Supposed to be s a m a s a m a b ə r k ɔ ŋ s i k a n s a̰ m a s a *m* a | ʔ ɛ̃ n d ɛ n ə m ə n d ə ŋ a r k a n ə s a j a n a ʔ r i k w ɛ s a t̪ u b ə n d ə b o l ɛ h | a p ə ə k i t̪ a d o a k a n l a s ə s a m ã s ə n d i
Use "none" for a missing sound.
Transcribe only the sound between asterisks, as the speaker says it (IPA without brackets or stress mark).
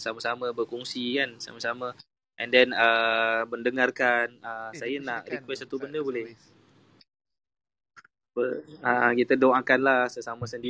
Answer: m